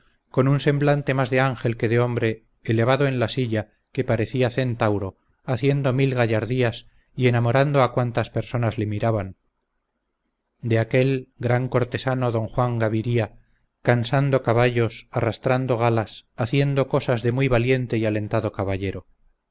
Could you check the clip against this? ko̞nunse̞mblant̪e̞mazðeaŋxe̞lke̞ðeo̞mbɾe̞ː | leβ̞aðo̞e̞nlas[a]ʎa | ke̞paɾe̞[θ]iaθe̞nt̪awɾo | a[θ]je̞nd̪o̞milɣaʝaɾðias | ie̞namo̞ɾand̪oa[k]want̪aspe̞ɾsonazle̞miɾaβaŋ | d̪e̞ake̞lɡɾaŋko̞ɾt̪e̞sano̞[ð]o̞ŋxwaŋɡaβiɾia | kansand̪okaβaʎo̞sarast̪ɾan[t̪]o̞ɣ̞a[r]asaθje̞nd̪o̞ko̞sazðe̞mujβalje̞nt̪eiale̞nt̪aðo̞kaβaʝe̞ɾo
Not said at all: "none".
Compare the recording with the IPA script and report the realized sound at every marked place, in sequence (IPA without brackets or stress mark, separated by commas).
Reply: i, θ, θ, k, ð, d̪, l